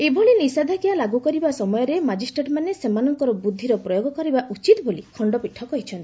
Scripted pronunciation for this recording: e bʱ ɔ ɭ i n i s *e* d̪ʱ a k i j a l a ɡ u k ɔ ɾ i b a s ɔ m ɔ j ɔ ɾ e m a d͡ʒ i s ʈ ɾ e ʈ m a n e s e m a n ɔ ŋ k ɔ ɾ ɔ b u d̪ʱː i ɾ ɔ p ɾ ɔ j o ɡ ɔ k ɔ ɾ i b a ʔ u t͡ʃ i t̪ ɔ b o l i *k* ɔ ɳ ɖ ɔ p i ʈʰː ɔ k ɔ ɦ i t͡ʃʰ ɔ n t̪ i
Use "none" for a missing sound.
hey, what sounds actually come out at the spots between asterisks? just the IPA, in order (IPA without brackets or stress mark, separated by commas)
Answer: a, kʰ